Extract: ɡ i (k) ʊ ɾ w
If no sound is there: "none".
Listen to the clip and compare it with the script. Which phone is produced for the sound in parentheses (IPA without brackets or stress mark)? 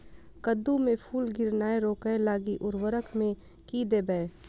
ʔ